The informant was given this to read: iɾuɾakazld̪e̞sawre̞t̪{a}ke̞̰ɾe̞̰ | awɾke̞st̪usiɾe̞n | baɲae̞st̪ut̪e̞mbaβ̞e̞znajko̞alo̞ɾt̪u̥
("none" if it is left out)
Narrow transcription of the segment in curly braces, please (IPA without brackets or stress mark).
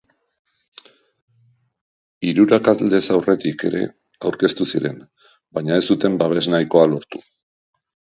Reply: i